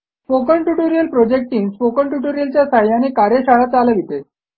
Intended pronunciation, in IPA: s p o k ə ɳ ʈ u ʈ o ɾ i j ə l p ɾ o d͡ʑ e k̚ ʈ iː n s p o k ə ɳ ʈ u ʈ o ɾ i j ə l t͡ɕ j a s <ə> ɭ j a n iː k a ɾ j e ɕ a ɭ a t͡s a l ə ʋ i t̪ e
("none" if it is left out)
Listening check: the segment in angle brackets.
a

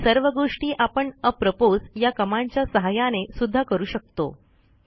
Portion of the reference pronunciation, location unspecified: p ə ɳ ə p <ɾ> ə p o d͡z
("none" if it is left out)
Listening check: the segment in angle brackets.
ɾ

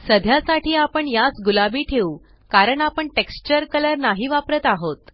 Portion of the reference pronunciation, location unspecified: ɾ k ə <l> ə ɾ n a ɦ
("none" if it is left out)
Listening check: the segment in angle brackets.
l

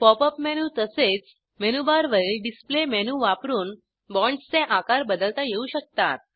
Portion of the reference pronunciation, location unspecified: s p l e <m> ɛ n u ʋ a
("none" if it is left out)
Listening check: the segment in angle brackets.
m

